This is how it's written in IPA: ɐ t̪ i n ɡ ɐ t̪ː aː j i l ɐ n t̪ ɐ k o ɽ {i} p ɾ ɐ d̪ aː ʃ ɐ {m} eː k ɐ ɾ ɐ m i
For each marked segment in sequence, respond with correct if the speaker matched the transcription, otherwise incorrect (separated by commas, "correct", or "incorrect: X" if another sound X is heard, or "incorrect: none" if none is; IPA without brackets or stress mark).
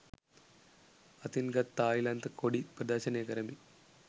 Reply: correct, incorrect: n